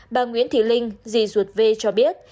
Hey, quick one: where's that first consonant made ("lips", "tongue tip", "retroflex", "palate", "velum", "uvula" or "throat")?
lips